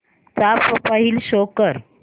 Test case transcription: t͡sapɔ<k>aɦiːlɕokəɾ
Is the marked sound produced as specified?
no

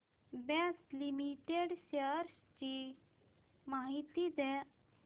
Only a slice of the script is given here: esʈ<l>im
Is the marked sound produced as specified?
yes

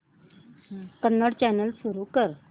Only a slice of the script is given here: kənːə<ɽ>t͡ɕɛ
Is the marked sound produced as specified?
yes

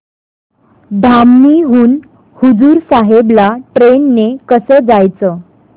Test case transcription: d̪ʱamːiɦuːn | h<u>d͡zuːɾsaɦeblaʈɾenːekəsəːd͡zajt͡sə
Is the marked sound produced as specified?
yes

